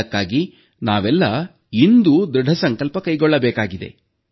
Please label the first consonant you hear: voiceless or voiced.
voiceless